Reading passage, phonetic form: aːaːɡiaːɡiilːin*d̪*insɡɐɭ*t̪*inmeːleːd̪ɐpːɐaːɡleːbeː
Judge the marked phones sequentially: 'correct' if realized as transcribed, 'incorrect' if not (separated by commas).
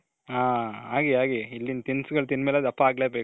incorrect, correct